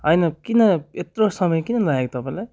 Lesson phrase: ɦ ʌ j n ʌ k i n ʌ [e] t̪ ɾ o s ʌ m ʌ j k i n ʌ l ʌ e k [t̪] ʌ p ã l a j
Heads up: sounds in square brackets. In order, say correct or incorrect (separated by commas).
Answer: correct, correct